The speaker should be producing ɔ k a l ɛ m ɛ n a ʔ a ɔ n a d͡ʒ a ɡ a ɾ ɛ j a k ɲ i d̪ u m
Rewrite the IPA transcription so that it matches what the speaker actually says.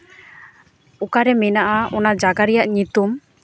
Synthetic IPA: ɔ k a ɾ ɛ m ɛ n a ʔ a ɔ n a d͡ʒ a ɡ a ɾ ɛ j a ʔ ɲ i t̪ u m